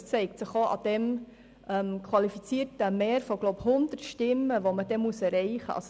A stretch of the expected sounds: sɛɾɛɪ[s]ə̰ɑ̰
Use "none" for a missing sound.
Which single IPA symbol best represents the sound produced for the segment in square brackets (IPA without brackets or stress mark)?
χ